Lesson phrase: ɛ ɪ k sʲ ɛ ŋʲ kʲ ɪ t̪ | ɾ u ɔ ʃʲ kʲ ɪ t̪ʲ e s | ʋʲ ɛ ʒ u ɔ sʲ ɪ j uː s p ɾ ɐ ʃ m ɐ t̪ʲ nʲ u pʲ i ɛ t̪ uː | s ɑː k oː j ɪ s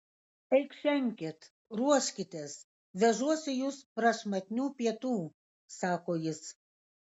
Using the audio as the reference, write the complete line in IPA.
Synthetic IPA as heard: ɛ ɪ k ʃʲ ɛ ŋʲ kʲ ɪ t̪ | ɾ u ɔ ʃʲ kʲ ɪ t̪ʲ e s | ʋʲ ɛ ʒ u ɔ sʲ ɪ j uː s p ɾ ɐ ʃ m ɐ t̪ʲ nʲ uː pʲ i ɛ t̪ uː | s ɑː k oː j ɪ s